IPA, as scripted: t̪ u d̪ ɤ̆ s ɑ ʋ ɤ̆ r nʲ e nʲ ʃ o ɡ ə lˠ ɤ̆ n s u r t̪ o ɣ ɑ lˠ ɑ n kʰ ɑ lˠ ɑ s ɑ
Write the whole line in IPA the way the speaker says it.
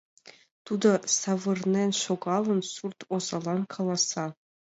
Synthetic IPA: t̪ u d̪ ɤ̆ s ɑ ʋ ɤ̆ r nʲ e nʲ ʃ o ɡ ɑ lˠ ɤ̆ n s u r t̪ o z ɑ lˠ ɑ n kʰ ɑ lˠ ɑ s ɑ